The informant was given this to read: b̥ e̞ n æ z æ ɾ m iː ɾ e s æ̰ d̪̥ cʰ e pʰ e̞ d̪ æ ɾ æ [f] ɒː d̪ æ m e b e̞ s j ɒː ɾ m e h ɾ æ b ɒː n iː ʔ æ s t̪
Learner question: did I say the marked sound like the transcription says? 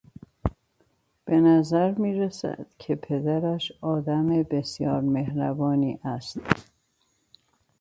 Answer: no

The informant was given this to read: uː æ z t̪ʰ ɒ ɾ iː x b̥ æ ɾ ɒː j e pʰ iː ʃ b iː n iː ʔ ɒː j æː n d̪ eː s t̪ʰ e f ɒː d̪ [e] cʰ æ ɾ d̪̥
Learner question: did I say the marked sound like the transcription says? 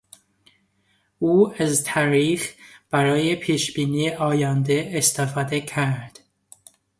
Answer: yes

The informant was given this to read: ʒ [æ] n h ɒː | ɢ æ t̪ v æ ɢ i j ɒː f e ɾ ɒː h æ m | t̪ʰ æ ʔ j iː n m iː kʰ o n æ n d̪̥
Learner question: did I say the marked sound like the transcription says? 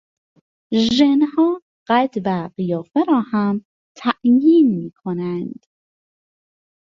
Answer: no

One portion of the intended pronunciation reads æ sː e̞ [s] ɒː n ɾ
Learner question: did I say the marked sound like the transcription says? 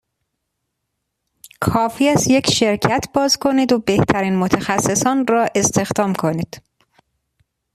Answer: yes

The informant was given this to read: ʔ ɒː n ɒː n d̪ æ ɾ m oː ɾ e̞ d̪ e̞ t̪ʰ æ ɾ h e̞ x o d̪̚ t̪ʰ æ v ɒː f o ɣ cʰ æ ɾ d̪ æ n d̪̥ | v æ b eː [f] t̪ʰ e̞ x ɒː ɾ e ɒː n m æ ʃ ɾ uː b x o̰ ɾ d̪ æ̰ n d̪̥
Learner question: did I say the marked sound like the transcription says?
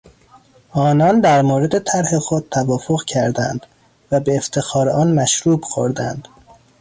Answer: yes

